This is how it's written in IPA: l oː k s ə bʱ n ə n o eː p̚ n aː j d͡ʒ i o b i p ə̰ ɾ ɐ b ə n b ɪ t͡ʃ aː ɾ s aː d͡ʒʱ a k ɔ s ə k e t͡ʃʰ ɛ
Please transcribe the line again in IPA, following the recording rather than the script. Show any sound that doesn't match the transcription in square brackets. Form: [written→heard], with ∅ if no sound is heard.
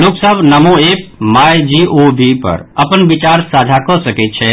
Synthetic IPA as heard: l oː k s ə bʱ n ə [n→m] o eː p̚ [n→m] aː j d͡ʒ i o b i p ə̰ ɾ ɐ [b→p] ə n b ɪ t͡ʃ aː ɾ s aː d͡ʒʱ a k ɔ s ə k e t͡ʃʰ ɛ